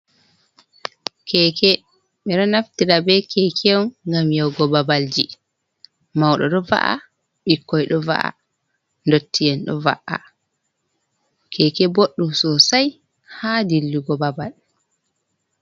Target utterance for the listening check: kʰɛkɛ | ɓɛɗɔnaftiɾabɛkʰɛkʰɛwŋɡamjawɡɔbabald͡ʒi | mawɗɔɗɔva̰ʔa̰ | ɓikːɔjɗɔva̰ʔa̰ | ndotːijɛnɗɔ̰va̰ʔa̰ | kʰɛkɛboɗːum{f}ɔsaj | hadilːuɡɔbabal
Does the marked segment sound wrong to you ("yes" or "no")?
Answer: yes